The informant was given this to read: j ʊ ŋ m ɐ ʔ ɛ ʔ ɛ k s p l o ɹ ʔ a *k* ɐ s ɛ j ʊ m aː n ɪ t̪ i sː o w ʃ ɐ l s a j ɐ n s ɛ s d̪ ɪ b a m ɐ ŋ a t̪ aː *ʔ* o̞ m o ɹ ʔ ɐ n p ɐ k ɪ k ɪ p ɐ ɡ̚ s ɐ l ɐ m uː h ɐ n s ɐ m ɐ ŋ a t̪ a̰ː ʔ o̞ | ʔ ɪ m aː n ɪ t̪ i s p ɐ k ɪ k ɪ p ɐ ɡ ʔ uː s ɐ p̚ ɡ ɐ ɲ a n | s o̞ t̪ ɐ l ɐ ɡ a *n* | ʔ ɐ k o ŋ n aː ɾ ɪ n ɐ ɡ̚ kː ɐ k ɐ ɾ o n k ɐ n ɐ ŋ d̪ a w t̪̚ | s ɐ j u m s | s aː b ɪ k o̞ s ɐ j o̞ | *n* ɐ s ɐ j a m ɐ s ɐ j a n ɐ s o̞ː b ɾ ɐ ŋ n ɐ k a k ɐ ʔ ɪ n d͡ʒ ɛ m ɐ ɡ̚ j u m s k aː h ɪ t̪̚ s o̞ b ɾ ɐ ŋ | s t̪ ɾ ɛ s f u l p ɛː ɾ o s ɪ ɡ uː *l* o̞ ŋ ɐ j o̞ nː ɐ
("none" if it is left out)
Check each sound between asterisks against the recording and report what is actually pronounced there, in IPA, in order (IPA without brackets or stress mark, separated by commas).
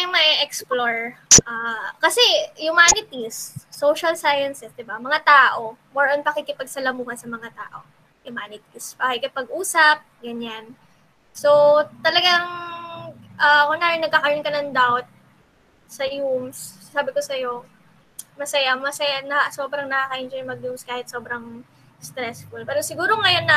k, ʔ, ŋ, m, ɾ